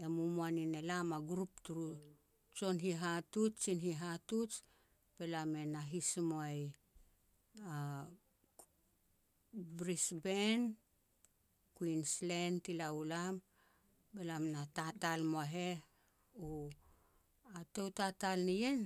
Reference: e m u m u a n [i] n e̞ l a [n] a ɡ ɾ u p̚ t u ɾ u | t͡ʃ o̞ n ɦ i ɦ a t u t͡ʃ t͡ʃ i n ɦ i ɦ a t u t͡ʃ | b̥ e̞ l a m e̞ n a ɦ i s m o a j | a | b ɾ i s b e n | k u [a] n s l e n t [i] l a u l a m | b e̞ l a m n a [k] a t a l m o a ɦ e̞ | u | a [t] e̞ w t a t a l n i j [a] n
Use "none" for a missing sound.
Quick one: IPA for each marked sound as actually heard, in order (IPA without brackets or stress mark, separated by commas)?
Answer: i, m, i, i, t, t, e